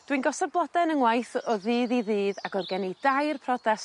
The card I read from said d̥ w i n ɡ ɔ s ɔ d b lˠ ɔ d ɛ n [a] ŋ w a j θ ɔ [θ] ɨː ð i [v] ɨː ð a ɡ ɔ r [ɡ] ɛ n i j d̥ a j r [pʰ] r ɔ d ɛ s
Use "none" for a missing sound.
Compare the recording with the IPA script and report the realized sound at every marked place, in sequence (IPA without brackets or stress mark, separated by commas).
ə, ð, ð, ɡ, pʰ